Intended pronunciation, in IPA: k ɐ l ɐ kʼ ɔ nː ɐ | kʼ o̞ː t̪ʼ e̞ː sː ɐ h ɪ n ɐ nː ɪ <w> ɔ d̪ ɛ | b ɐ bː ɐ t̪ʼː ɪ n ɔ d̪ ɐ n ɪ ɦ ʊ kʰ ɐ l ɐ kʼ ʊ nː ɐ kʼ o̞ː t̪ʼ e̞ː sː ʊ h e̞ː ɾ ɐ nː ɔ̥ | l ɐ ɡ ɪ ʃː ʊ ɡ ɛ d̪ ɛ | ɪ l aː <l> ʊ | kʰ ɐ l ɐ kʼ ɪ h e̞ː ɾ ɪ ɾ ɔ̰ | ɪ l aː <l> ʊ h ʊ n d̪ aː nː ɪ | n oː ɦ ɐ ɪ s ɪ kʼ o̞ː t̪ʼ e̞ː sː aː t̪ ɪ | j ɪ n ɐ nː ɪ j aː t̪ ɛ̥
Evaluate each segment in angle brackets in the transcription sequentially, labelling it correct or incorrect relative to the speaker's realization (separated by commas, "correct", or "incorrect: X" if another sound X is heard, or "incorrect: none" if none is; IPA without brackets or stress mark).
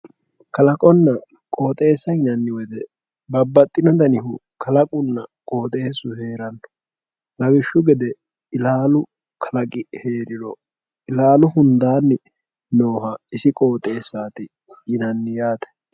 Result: correct, correct, correct